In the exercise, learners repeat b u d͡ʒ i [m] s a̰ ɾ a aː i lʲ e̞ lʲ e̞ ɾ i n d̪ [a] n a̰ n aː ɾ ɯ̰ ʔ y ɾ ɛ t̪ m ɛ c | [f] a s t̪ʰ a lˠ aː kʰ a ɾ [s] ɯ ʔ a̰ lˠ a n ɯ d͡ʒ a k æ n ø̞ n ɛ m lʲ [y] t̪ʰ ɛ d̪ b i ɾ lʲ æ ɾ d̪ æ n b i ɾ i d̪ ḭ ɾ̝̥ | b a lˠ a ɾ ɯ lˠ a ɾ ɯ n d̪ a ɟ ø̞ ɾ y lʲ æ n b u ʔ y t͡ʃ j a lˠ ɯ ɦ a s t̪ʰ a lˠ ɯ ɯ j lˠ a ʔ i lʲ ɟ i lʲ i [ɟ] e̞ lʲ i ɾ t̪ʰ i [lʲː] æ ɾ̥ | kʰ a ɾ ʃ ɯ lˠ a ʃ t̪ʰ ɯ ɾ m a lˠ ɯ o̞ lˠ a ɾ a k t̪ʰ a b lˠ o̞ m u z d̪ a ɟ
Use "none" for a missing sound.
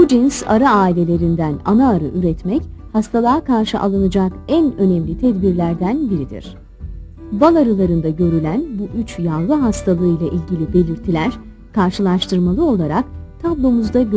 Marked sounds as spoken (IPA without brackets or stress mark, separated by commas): n, æ, h, ʃ, i, b, lʲ